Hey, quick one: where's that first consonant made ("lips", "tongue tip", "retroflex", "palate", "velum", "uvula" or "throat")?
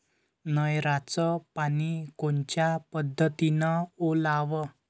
tongue tip